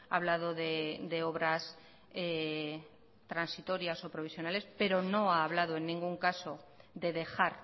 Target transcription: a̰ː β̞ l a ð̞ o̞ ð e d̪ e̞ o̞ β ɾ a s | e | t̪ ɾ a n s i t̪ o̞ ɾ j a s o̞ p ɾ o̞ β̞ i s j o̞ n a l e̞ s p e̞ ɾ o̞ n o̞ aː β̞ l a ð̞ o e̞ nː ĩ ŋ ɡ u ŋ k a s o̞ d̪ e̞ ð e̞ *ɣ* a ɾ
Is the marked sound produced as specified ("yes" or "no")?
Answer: no